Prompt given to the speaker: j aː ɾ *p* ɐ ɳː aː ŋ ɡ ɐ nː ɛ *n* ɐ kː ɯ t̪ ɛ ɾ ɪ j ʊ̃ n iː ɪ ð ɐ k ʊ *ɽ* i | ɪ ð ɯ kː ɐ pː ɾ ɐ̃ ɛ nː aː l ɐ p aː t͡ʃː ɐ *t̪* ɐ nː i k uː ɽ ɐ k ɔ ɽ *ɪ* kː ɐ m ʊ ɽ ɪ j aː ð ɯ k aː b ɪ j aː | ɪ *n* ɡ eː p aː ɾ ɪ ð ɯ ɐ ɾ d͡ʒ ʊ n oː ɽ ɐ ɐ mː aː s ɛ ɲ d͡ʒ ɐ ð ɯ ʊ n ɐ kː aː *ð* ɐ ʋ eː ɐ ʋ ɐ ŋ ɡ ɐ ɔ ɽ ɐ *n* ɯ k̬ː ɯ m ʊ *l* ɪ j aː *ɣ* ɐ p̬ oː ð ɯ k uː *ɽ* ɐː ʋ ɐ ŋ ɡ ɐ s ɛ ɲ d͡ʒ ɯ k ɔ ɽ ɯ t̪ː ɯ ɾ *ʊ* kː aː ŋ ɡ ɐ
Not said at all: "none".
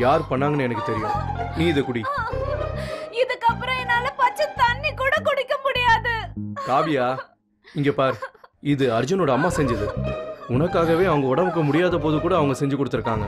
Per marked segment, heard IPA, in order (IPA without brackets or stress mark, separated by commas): p, n, ɽ, t̪, ɪ, ŋ, ɣ, m, ɽ, ð, ɽ, ɯ